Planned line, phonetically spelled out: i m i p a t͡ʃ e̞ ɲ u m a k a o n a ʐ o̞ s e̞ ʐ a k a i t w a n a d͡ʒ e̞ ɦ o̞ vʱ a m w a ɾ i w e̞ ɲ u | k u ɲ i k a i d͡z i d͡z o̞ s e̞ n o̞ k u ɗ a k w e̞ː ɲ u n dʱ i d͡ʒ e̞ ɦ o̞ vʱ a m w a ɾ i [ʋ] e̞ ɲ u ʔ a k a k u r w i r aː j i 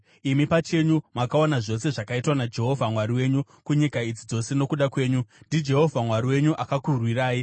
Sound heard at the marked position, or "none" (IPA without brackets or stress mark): w